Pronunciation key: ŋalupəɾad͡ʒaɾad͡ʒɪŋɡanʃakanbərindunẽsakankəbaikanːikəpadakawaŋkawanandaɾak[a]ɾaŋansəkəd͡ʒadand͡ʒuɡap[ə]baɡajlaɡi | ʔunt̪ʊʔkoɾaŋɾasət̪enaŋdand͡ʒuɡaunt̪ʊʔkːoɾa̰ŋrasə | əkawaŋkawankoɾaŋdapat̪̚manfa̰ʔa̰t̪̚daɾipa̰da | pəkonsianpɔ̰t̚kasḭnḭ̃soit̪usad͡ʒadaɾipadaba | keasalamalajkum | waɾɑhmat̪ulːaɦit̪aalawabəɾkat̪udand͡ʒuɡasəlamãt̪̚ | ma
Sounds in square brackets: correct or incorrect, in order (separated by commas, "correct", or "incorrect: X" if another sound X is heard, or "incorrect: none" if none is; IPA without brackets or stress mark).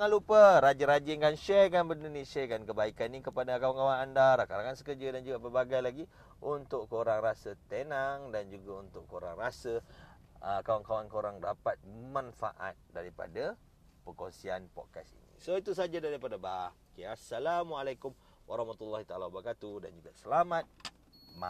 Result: correct, correct